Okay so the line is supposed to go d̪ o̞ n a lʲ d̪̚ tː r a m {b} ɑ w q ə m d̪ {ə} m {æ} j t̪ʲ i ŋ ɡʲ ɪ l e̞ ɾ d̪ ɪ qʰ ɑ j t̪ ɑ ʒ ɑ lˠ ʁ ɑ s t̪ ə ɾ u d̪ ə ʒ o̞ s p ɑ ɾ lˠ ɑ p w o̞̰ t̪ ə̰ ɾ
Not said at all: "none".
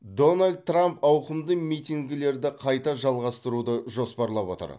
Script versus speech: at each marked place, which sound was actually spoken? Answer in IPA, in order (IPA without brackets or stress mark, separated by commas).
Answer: p, ə, i